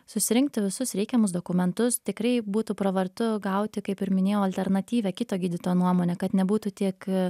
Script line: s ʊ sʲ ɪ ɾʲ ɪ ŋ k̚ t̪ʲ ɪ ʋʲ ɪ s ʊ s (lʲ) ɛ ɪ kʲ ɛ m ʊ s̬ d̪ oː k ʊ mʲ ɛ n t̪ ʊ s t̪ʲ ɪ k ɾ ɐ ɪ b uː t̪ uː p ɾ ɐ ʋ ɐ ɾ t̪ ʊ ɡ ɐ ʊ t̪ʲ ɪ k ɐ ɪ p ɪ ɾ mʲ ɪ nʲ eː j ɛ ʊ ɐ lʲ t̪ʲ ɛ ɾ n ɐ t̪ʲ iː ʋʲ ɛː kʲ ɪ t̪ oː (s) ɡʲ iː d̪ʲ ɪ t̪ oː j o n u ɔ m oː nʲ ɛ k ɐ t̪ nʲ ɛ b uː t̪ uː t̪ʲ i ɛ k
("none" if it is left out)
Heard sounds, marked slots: ɾʲ, none

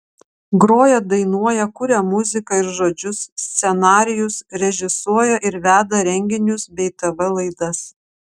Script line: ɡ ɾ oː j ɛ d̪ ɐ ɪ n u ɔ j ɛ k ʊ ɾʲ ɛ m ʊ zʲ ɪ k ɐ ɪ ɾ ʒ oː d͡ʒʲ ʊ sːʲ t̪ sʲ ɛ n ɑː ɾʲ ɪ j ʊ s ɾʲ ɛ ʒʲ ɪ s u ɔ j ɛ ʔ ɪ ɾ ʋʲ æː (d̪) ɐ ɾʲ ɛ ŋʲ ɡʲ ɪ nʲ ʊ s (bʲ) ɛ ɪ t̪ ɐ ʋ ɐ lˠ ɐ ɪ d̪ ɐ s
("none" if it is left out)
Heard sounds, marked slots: d̪, bʲ

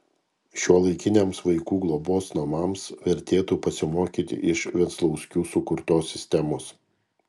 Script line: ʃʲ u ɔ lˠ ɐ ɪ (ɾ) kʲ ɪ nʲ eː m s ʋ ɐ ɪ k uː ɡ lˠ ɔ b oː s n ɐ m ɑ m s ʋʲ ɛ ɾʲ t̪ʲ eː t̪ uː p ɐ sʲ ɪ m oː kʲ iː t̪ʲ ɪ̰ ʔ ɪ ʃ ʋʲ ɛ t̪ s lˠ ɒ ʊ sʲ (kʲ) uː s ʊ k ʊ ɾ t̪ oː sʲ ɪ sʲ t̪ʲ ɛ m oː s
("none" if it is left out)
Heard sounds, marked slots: none, kʲ

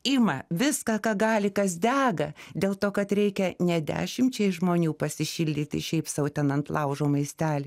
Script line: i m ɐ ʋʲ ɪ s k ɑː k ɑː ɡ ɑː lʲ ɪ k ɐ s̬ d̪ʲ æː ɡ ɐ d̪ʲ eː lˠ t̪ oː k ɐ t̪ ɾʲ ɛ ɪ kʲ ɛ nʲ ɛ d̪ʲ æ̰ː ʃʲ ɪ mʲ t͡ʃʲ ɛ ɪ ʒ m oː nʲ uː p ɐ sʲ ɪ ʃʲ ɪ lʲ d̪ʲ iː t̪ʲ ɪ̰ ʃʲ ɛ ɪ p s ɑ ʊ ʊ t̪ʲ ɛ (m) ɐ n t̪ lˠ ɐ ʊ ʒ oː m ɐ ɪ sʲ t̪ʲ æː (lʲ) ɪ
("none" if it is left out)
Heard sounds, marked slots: n, lʲ

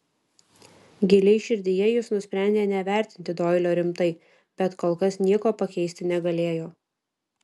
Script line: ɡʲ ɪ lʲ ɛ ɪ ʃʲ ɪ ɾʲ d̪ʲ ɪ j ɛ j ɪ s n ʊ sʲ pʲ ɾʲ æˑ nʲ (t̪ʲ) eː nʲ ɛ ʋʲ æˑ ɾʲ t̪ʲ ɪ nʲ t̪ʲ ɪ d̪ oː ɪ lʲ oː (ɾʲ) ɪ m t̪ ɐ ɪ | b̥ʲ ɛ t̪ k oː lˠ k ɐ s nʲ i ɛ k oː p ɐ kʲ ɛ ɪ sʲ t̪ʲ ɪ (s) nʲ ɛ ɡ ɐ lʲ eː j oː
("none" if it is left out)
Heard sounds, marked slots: d̪ʲ, ɾʲ, none

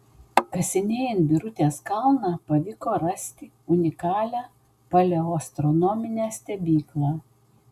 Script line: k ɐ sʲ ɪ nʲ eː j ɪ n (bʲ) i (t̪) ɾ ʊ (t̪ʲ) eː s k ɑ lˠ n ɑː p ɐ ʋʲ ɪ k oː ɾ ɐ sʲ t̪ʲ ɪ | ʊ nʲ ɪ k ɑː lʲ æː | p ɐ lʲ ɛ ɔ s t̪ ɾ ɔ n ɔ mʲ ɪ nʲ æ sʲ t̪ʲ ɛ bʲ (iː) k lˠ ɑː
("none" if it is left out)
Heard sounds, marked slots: bʲ, none, t̪ʲ, iː

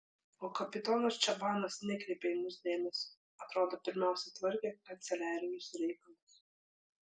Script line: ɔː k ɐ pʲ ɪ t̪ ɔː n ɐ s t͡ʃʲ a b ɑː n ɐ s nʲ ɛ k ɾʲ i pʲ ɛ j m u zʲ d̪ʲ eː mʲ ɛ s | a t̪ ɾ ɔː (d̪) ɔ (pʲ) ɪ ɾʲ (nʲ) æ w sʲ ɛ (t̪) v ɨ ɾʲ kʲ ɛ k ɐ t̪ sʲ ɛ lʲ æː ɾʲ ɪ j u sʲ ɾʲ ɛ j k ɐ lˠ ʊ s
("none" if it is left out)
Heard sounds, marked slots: d̪, pʲ, mʲ, t̪

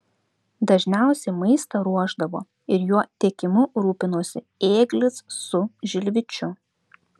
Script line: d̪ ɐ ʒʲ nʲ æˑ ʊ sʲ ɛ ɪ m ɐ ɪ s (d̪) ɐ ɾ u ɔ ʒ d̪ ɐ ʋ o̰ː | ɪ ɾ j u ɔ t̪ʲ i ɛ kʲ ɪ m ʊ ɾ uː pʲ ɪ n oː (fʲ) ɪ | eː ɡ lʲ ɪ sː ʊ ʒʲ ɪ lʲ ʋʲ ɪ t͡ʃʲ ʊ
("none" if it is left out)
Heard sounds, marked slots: t̪, sʲ

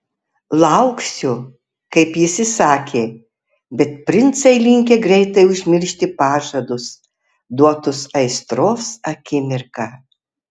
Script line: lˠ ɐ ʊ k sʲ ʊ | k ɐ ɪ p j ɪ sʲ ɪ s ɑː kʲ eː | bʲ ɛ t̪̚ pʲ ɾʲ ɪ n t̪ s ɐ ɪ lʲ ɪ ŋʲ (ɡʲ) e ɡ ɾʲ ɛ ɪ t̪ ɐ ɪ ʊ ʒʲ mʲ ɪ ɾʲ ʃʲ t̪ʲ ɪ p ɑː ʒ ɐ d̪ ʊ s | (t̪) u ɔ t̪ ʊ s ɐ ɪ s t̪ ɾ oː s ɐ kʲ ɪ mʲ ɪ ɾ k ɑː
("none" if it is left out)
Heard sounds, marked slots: kʲ, d̪

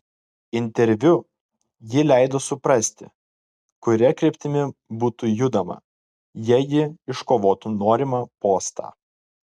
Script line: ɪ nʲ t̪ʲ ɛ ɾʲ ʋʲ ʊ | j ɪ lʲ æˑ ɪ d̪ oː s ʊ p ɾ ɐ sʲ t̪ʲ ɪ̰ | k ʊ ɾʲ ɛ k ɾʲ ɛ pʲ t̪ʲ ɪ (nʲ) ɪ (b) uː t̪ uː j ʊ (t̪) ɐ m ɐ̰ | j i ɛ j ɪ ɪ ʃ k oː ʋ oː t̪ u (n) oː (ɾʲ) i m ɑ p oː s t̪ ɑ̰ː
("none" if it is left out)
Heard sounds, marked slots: mʲ, b, d̪, n, ɾʲ

